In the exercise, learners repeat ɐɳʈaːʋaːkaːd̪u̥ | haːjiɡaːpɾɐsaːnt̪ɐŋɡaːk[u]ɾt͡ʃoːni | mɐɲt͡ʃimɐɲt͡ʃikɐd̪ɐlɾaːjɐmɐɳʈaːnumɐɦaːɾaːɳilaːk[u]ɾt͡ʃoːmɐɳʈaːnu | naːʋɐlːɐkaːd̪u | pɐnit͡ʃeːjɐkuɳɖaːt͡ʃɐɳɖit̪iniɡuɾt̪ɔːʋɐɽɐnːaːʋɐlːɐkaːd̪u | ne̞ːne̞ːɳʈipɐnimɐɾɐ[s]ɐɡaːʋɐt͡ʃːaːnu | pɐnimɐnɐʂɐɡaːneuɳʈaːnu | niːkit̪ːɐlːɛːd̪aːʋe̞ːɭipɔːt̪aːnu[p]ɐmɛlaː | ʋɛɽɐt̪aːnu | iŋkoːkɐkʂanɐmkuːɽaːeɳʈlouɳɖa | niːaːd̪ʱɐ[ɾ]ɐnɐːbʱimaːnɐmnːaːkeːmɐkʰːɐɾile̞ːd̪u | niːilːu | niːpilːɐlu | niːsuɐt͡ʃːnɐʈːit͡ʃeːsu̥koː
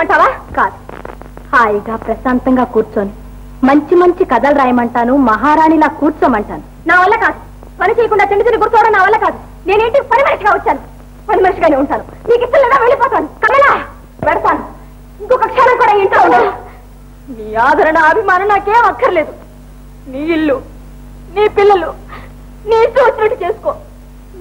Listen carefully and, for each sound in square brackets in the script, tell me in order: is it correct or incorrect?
incorrect, incorrect, incorrect, incorrect, correct

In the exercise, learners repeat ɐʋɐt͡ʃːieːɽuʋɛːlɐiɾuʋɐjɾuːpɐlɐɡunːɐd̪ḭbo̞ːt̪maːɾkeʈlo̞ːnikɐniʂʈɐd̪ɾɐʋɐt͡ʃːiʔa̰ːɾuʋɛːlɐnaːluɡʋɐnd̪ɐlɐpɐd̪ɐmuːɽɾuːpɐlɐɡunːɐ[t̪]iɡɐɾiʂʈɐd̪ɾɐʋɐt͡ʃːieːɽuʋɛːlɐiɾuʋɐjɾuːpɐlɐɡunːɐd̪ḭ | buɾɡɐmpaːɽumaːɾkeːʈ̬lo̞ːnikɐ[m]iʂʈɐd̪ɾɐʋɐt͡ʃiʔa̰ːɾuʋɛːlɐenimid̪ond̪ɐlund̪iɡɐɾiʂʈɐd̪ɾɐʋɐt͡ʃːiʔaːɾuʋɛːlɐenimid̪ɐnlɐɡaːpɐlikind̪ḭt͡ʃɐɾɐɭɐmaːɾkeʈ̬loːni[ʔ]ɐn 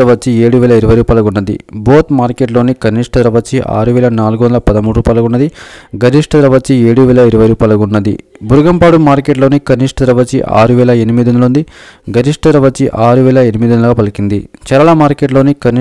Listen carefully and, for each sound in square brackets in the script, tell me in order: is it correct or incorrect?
incorrect, incorrect, incorrect

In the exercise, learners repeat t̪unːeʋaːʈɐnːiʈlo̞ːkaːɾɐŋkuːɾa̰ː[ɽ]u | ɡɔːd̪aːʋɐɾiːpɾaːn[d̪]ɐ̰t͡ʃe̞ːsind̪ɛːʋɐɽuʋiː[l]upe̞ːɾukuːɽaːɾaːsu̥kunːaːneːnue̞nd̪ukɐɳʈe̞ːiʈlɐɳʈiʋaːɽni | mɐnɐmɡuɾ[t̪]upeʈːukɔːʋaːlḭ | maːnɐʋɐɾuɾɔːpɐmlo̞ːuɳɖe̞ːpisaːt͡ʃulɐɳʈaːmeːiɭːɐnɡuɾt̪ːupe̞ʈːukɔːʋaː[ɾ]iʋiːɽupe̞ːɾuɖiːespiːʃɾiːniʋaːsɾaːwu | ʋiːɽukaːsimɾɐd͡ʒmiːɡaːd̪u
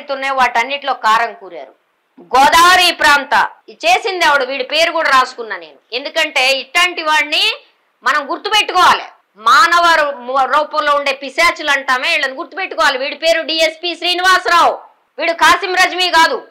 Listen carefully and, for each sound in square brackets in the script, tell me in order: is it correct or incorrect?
incorrect, incorrect, incorrect, correct, incorrect

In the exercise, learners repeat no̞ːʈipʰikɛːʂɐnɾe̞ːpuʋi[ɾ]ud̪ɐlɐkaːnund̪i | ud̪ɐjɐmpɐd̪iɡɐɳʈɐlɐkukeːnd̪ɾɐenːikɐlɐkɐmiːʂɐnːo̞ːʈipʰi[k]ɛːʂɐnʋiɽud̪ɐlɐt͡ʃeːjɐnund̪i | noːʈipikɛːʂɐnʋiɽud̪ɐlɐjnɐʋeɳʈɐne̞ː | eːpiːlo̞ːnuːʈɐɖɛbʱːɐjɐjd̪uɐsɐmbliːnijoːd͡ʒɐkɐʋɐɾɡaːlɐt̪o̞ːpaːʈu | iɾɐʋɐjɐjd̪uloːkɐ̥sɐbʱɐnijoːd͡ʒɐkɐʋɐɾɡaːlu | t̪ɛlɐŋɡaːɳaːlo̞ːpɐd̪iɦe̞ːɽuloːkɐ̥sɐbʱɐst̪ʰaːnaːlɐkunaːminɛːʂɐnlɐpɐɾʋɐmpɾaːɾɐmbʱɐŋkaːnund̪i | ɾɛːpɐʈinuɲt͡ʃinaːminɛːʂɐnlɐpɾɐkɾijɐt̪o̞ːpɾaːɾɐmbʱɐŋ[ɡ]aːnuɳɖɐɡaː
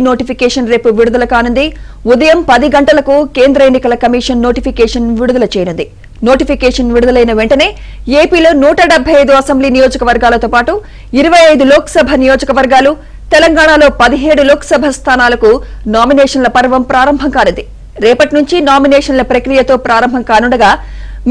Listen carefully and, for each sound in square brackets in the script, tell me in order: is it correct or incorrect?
incorrect, correct, incorrect

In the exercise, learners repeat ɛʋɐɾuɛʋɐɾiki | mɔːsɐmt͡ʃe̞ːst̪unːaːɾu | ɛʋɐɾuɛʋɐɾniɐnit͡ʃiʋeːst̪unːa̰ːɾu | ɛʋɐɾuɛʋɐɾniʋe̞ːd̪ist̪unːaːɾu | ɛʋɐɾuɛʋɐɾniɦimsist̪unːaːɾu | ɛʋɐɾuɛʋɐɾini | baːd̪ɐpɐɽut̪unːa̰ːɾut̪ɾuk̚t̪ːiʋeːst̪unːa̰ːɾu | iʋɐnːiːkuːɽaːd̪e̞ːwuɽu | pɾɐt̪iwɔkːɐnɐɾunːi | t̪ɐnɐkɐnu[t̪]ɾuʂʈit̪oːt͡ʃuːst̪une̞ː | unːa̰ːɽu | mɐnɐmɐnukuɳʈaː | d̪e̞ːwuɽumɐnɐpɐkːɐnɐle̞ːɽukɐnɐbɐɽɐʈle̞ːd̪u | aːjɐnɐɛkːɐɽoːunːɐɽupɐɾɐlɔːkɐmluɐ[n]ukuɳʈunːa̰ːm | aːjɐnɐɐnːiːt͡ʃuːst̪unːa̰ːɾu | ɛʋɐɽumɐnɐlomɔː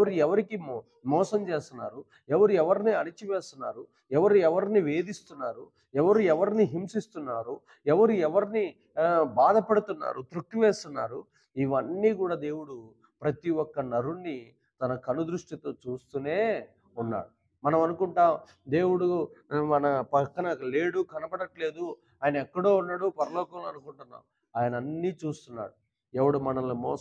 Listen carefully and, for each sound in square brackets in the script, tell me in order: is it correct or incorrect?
incorrect, correct

